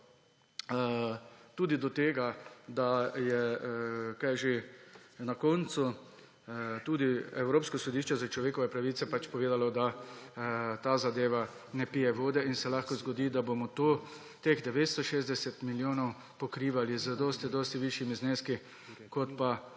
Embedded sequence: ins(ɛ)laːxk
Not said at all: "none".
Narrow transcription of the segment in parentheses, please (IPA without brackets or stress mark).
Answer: ɛ